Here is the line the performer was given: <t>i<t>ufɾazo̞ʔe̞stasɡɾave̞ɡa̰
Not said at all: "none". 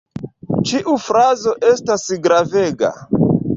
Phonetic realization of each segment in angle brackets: t͡ʃ, ʔ

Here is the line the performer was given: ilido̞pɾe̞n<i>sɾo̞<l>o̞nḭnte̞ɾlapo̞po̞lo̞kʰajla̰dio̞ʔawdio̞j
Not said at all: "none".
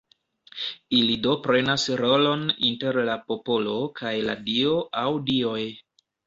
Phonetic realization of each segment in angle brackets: a, l

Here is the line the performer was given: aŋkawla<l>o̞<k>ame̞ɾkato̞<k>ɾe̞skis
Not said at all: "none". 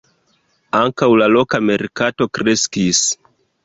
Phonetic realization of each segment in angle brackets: l, k, k

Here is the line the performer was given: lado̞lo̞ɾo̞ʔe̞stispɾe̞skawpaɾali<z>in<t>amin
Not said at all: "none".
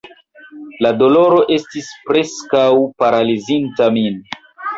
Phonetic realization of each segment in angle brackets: z, t

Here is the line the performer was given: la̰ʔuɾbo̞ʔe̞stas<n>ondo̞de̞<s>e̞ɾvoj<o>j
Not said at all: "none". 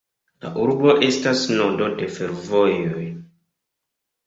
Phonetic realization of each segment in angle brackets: n, f, o

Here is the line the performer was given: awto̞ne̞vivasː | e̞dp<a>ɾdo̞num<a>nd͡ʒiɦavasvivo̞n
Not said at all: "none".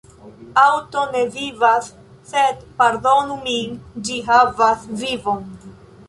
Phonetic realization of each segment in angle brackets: a, i

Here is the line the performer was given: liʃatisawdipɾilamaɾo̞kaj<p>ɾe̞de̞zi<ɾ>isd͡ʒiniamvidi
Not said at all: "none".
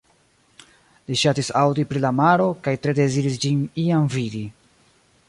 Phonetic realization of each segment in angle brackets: t, ɾ

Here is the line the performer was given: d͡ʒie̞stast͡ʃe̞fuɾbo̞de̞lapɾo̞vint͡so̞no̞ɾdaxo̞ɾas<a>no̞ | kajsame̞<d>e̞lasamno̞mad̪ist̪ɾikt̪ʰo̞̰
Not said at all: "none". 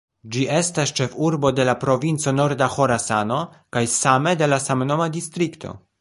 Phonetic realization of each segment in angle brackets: a, d

